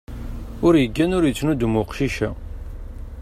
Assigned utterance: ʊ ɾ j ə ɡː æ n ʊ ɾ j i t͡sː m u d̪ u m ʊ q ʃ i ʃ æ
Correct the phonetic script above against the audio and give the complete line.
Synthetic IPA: ʊ ɾ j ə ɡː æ n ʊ ɾ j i t͡sː n u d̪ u m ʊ q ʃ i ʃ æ